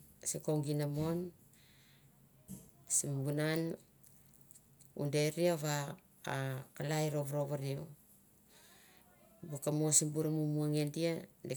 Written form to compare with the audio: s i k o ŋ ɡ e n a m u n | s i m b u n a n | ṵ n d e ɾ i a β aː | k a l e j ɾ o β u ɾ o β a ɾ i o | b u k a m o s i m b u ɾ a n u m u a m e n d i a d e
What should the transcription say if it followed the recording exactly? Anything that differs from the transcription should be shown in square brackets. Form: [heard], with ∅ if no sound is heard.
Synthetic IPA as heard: s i k o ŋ ɡ [i] n a m [o] n | s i m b u n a n | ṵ n d e ɾ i a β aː | k a l [a] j ɾ o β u ɾ o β a ɾ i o | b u k a m o s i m b u ɾ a [m] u m u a [ŋ] e n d i a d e

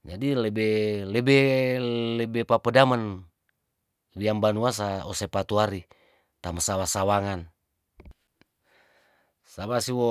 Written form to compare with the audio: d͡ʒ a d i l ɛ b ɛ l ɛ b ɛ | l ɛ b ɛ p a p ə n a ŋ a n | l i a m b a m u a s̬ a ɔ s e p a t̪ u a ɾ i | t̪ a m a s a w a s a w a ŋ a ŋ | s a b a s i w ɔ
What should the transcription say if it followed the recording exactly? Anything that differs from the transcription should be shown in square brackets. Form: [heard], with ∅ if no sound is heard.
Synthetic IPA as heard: d͡ʒ a d i l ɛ b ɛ l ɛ b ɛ | l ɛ b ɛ p a p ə [d] a [m] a n | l i a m b a [n] u a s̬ a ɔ s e p a t̪ u a ɾ i | t̪ a m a s a w a s a w a ŋ a [n] | s a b a s i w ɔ

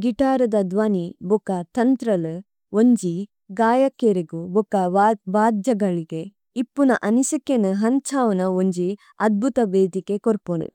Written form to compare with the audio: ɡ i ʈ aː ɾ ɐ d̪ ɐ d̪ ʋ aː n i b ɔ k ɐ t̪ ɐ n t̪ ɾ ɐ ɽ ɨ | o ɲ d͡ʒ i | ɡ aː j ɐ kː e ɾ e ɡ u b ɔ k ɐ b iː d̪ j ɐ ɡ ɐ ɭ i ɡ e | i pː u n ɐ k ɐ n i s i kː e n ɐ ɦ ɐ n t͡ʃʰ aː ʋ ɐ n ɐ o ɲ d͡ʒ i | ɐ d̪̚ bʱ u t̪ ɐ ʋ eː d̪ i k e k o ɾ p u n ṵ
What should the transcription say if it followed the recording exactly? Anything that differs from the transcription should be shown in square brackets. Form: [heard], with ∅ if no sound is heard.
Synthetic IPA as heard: ɡ i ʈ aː ɾ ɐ d̪ ɐ d̪ ʋ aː n i b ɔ k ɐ t̪ ɐ n t̪ ɾ ɐ [l] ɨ | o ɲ d͡ʒ i | ɡ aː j ɐ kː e ɾ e ɡ u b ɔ k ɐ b [aː] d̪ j ɐ ɡ ɐ ɭ i ɡ e | i pː u n ɐ [ʔ] ɐ n i s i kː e n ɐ ɦ ɐ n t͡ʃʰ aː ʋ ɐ n ɐ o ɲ d͡ʒ i | ɐ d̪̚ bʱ u t̪ ɐ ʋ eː d̪ i k e k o ɾ p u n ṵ

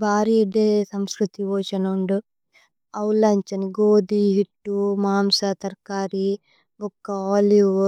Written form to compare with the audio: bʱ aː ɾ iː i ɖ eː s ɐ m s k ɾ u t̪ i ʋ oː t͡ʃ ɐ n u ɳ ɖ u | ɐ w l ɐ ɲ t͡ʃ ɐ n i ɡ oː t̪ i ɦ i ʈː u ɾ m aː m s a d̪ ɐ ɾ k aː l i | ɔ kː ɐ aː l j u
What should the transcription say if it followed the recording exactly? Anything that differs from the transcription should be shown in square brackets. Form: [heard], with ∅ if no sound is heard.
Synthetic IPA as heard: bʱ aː ɾ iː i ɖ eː s ɐ m s k ɾ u t̪ i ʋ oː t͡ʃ ɐ n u ɳ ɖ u | ɐ w l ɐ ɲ t͡ʃ ɐ n i ɡ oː [d̪] i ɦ i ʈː u [∅] m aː m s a [t̪] ɐ ɾ k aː [ɾ] i | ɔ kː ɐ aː l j u

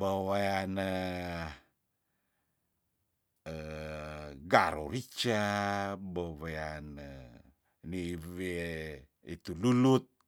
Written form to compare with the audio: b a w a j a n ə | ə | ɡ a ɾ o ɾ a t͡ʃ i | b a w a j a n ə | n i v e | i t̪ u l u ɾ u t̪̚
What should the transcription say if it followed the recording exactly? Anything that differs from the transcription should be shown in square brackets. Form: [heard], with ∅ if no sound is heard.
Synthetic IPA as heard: b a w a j a n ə | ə | ɡ a ɾ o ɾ [i] t͡ʃ [a] | b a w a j a n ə | n i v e | i t̪ u l u [l] u t̪̚

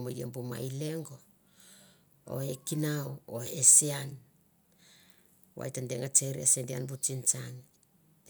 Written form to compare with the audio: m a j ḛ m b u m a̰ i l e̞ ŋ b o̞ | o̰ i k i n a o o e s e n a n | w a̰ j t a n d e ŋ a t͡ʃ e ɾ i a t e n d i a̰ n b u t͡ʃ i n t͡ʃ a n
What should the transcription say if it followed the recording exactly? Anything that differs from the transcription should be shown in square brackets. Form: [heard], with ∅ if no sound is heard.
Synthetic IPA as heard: m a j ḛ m b u m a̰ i l e̞ ŋ [ɡ] o̞ | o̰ [e] k i n a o o e s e [∅] a n | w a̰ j t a n d e ŋ a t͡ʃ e ɾ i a [s] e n d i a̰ n b u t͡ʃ i n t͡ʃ a n

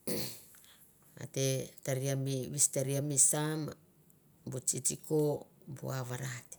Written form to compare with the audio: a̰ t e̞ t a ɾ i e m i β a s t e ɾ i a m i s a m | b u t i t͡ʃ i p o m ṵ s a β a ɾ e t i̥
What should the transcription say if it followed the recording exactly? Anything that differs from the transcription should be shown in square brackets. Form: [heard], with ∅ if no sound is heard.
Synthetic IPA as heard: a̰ t e̞ t a ɾ i [a] m i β [i] s t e ɾ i a m i s a m | b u [t͡ʃ] i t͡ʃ i [k] o [b] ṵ [∅] a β a ɾ [a] t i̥

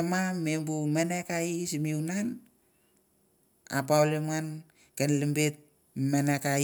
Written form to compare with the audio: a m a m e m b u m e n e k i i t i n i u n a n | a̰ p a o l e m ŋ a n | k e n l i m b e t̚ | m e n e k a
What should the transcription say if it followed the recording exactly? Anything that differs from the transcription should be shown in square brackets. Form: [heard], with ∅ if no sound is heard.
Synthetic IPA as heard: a m a m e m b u m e n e k [a] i [s] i [m] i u n a n | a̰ p a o l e m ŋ a n | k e n l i m b e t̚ | m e n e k a

